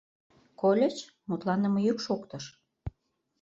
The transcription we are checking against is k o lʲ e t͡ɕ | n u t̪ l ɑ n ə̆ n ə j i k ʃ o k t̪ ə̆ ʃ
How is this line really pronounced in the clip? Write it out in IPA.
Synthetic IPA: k o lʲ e t͡ɕ | m u t̪ l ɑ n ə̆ m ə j y k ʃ o k t̪ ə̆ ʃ